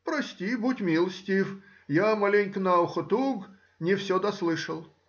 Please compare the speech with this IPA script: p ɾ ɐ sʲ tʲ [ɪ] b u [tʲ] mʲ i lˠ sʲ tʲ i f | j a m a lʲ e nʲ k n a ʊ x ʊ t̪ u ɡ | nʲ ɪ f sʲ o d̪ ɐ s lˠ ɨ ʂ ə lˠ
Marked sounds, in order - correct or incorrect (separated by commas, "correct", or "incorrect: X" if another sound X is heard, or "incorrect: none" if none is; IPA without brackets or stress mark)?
incorrect: i, correct